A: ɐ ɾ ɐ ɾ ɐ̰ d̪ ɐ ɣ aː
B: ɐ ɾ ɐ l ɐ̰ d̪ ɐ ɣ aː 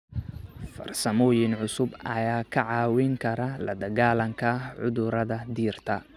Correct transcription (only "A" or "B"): B